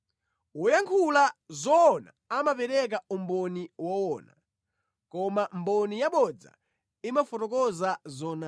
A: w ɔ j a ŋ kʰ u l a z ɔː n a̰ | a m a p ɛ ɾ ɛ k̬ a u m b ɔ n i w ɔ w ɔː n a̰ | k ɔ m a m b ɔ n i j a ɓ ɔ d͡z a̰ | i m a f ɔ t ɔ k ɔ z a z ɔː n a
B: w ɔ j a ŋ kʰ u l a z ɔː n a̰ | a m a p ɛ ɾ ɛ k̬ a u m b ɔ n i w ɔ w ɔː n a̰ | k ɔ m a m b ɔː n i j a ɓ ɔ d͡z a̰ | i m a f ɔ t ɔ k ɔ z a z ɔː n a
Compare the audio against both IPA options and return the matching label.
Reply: A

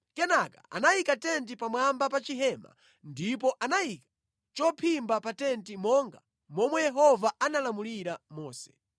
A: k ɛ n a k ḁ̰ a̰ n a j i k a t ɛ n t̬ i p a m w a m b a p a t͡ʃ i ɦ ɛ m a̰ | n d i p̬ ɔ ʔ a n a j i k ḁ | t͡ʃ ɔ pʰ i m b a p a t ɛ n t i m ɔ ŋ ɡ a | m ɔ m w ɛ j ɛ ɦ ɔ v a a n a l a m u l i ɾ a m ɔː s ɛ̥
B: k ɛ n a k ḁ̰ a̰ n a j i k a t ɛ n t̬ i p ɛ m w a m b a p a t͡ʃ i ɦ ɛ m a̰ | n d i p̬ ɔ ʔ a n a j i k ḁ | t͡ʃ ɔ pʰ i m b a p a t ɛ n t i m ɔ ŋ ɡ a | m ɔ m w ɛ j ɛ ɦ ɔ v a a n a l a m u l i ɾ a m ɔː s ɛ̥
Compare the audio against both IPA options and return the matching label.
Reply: A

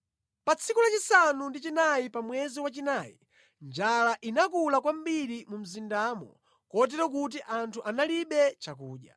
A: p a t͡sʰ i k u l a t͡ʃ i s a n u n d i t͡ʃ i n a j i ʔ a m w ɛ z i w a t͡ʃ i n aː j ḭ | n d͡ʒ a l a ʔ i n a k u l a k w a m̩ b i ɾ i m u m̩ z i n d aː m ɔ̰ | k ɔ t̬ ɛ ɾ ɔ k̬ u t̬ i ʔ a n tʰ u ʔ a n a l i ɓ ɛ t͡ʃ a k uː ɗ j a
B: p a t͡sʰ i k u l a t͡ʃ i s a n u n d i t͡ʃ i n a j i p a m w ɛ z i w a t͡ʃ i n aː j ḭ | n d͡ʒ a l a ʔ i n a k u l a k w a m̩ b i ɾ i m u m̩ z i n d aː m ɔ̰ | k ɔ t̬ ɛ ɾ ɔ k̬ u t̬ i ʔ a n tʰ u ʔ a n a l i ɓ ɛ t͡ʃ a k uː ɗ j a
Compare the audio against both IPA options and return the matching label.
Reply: B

